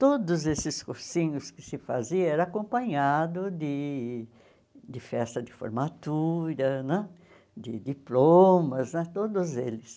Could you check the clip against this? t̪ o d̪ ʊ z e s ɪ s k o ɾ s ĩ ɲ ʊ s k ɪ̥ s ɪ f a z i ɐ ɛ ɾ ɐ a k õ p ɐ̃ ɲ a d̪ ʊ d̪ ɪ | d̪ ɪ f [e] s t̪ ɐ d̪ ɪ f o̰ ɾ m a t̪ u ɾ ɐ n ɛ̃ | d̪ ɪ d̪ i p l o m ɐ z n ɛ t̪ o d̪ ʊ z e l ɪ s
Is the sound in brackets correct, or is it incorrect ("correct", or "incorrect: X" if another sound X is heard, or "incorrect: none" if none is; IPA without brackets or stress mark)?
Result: incorrect: ɛ